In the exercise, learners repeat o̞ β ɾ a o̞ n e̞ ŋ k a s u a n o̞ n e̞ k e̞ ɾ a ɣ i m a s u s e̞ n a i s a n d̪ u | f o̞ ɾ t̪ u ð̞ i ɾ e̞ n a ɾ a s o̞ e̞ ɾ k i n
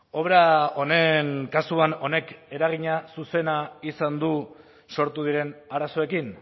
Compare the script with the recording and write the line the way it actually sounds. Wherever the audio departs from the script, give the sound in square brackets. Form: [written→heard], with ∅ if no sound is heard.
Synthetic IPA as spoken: o̞ β ɾ a o̞ n e̞ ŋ k a s u a n o̞ n e̞ k e̞ ɾ a ɣ i [m→ɲ] a s u s e̞ n a i s a n d̪ u | [f→s] o̞ ɾ t̪ u ð̞ i ɾ e̞ n a ɾ a s o̞ e̞ [ɾ→∅] k i n